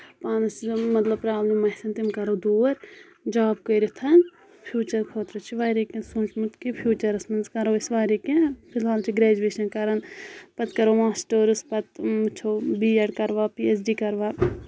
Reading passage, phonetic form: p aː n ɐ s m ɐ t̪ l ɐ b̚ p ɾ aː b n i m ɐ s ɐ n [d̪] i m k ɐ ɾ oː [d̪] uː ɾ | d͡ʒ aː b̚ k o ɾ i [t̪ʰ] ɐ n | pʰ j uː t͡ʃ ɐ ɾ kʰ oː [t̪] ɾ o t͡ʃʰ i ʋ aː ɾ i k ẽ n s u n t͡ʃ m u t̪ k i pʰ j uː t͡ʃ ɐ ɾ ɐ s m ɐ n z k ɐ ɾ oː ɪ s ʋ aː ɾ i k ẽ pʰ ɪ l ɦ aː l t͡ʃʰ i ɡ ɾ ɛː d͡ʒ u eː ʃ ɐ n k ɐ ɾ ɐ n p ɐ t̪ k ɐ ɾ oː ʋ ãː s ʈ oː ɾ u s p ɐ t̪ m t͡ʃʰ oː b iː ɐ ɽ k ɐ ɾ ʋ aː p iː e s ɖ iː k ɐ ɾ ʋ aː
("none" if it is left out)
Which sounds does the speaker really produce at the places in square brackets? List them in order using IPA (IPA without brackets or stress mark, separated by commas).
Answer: t̪, d̪, t̪ʰ, t̪